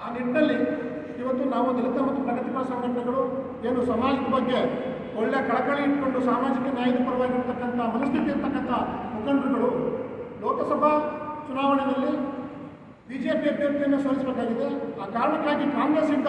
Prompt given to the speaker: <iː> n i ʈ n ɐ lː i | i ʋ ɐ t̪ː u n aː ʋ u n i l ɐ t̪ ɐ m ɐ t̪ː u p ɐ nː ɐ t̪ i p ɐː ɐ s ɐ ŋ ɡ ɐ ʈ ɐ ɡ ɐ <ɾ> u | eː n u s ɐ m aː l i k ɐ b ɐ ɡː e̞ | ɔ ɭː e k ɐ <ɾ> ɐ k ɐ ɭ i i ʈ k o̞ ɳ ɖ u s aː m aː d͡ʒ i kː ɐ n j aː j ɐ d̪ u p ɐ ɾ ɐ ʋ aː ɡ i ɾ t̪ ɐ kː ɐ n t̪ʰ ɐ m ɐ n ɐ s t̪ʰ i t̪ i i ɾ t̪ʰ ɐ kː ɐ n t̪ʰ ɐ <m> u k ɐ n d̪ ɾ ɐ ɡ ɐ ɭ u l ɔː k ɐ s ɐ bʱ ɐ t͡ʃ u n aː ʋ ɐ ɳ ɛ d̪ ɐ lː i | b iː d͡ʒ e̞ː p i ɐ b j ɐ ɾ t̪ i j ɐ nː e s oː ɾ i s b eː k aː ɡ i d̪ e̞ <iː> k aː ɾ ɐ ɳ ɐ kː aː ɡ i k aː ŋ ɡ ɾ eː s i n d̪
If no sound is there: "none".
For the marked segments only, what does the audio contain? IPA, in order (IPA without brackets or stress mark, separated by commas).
aː, ɭ, ɭ, m, aː